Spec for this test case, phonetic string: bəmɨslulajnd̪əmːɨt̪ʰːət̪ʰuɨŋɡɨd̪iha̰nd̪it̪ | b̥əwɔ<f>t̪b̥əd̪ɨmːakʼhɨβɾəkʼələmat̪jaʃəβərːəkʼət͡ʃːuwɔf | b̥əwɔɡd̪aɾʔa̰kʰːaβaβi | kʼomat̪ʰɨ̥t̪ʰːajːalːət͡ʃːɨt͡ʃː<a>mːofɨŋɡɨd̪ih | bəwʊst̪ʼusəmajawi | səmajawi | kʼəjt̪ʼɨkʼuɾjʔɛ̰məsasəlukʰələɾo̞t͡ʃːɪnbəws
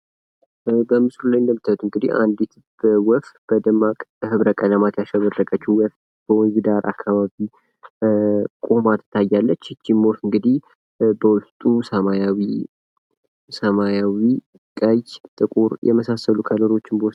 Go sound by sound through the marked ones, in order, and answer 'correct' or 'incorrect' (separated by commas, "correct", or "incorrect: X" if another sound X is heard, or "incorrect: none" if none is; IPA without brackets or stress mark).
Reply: correct, incorrect: i